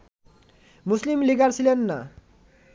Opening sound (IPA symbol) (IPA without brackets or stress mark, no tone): m